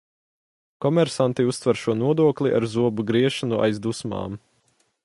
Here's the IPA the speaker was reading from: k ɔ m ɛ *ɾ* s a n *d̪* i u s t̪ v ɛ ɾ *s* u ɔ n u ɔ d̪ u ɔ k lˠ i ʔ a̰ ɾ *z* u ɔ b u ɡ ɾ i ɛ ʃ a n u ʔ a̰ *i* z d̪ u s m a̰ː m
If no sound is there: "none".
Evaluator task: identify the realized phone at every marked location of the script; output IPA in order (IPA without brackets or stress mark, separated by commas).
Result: ɾ, t̪, ʃ, z, j